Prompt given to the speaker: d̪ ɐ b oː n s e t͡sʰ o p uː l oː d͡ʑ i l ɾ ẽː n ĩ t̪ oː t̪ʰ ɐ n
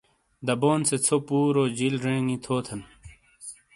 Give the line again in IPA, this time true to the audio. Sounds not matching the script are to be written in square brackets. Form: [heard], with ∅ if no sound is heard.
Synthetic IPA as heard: d̪ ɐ b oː n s e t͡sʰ o p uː [ɾ] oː d͡ʑ i l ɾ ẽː [ŋ] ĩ [t̪ʰ] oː t̪ʰ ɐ n